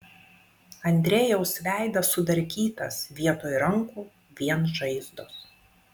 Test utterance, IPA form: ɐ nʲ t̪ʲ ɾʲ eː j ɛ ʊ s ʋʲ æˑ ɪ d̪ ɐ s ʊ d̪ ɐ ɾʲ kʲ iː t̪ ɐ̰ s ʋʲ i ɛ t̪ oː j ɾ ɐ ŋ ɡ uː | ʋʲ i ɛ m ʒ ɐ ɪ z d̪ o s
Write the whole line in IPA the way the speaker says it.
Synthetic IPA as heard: ɐ nʲ d̪ʲ ɾʲ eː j ɛ ʊ s ʋʲ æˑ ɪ d̪ ɐ s ʊ d̪ ɐ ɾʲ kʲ iː t̪ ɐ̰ s ʋʲ i ɛ t̪ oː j ɾ ɐ ŋ k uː | ʋʲ i ɛ n ʒ ɐ ɪ z d̪ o s